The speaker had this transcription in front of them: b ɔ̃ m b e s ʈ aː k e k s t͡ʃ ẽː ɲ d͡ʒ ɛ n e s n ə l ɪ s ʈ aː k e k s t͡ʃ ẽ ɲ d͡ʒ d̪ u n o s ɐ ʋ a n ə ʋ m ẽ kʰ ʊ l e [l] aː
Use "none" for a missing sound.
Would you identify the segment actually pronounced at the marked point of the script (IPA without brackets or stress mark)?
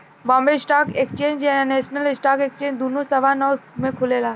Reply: l